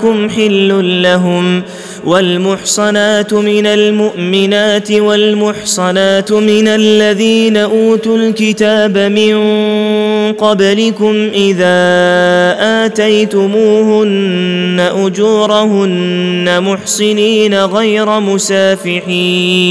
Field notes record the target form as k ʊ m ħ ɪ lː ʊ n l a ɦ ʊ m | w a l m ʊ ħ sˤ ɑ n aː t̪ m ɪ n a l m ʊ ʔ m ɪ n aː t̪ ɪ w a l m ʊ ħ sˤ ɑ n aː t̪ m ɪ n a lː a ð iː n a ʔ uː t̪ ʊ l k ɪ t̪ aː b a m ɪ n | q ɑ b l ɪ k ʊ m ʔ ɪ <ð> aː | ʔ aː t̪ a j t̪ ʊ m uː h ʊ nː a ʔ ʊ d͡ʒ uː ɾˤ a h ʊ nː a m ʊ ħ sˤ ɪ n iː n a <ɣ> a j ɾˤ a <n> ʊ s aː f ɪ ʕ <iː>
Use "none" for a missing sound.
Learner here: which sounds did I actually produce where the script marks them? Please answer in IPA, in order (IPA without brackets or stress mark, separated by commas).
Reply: ð, ɣ, m, iː